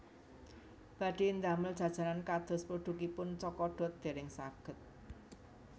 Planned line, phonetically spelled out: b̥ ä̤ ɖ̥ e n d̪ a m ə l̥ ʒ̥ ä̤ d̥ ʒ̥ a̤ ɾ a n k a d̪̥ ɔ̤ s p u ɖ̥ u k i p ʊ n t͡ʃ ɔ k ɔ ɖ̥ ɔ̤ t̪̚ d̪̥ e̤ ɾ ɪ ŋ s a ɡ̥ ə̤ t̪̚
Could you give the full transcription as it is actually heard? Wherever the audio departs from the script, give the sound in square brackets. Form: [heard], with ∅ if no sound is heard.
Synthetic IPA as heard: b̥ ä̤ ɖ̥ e n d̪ a m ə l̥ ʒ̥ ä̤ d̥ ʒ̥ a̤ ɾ a n k a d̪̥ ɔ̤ s p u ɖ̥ u k i p ʊ n t͡ʃ ɔ k ɔ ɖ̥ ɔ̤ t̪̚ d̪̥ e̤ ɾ ɪ ŋ s a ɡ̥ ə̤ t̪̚

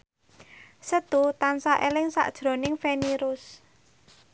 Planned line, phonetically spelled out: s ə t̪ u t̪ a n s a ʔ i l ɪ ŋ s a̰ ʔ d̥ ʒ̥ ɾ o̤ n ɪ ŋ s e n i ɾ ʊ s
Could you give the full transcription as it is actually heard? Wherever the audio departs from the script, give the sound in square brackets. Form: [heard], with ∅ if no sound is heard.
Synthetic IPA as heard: s ə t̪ u t̪ a n s a ʔ [e] l ɪ ŋ s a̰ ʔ d̥ ʒ̥ ɾ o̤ n ɪ ŋ [f] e n i ɾ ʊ s

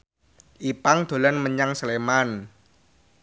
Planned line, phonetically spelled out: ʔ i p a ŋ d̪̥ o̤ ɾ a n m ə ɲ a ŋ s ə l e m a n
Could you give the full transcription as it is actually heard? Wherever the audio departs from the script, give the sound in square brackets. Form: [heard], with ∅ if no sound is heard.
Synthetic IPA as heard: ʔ i p a ŋ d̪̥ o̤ [l] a n m ə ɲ a ŋ s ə l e m a n

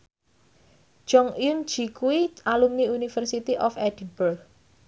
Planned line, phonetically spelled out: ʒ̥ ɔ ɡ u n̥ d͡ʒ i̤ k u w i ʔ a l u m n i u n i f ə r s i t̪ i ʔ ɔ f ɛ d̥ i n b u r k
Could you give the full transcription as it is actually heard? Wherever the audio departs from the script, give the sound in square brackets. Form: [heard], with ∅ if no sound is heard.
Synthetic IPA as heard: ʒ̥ ɔ [ŋ] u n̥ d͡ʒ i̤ k u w i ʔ a l u m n i u n i f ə r s i t̪ i ʔ ɔ f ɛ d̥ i n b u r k

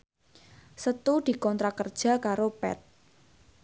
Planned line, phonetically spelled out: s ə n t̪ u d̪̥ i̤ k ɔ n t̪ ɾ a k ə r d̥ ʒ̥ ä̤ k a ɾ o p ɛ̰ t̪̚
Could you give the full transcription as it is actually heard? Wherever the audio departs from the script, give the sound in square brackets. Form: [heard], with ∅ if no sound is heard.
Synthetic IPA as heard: s ə [∅] t̪ u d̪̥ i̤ k ɔ n t̪ ɾ a k ə r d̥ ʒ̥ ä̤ k a ɾ o p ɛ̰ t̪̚

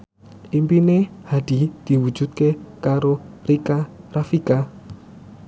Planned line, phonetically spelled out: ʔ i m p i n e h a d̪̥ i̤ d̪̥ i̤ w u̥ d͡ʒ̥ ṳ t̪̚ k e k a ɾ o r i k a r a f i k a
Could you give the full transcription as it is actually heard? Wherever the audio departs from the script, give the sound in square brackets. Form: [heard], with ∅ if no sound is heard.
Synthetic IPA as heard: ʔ i m p i n e h a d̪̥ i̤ d̪̥ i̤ w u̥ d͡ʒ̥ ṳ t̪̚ k e k a ɾ o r i k a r a f i k a

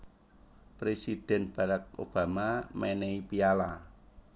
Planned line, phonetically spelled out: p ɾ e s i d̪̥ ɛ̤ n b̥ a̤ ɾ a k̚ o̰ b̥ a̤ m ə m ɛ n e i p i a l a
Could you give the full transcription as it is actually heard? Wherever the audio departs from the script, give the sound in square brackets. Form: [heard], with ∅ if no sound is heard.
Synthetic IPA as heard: p ɾ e s i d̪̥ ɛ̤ n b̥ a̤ ɾ a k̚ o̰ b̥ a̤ m [a] m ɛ n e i p i a l a

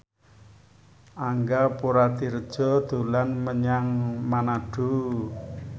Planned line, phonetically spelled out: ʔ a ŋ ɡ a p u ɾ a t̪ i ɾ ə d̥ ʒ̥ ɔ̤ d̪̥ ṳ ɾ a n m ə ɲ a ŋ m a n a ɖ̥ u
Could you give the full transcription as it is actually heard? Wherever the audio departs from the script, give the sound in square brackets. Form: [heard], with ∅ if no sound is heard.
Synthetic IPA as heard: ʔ a ŋ ɡ a p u ɾ a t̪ i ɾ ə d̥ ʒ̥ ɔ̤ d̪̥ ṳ [l] a n m ə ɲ a ŋ m a n a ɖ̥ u

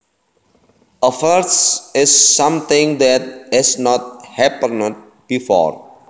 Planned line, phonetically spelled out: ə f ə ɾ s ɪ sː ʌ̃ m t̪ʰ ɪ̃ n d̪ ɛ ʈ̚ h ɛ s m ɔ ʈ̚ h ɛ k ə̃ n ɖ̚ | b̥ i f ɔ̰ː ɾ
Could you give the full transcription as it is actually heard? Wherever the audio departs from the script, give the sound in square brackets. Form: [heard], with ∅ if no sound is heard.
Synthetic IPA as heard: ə f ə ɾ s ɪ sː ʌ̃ m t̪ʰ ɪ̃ [ŋ] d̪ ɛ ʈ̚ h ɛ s [n] ɔ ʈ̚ h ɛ [p] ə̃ n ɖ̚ | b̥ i f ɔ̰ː ɾ

